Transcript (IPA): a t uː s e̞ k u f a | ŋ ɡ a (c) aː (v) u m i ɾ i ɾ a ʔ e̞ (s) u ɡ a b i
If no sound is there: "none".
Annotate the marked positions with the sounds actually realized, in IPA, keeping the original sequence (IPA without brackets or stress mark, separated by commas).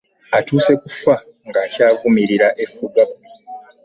c, v, f